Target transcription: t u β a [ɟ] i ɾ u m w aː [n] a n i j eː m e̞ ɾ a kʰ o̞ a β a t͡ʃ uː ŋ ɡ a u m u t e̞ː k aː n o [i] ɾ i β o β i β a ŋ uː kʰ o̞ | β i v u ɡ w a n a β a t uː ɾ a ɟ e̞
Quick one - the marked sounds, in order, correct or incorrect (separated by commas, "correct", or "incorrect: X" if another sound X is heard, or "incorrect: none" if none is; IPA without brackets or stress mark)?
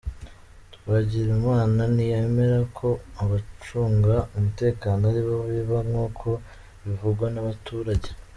correct, correct, incorrect: a